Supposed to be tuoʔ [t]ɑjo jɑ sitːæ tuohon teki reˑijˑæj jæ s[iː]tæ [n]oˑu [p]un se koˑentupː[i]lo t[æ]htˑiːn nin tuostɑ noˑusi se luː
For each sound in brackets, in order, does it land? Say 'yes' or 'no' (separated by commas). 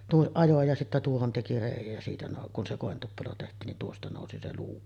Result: no, yes, yes, no, no, no